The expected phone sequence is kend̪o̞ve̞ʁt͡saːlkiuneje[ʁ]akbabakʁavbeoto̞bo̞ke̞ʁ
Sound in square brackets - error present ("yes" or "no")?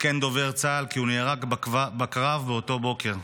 no